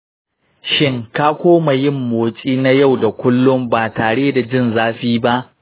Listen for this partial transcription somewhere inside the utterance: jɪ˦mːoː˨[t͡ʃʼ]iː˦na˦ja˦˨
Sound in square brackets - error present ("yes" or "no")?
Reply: no